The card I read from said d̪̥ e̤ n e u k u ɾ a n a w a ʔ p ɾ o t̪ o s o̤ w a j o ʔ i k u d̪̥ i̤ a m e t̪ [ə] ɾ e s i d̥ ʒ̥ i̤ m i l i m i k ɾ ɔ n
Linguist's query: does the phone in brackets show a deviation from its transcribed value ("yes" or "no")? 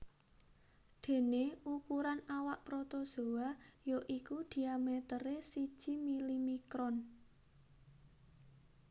no